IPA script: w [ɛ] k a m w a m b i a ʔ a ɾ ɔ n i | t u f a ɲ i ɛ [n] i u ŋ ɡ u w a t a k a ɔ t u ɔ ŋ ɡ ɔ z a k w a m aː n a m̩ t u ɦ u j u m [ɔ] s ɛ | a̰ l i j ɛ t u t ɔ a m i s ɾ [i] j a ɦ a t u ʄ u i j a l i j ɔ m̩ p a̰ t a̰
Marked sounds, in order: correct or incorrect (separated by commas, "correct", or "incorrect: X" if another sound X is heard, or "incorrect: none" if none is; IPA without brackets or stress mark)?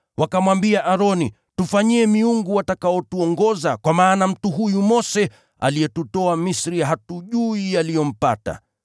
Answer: incorrect: a, incorrect: m, correct, correct